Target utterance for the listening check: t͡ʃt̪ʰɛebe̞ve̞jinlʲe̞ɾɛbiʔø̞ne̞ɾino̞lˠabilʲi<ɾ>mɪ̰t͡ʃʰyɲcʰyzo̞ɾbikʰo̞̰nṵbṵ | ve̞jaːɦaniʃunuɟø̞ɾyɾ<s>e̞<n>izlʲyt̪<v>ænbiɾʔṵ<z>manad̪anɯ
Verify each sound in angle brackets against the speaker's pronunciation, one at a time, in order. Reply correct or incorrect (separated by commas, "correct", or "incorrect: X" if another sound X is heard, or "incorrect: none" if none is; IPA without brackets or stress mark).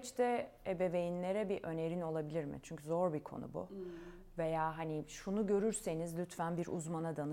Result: correct, correct, correct, incorrect: f, correct